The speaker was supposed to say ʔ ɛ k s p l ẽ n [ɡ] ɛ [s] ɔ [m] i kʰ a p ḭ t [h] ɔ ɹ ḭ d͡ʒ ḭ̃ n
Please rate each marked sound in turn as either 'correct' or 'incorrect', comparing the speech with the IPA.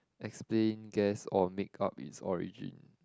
correct, correct, correct, incorrect

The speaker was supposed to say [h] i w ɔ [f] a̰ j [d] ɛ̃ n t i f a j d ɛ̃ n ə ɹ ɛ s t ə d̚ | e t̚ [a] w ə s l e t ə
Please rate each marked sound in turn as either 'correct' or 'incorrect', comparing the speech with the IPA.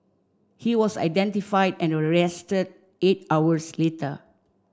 correct, incorrect, correct, correct

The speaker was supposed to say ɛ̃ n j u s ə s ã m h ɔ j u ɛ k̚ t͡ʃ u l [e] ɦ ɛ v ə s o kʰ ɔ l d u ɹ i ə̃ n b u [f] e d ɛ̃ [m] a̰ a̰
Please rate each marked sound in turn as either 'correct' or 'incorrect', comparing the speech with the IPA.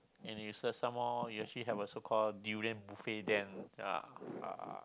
incorrect, correct, incorrect

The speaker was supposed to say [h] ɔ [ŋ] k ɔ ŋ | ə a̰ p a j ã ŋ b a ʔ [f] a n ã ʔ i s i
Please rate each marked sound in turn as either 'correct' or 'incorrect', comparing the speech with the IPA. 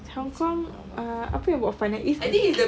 correct, correct, correct

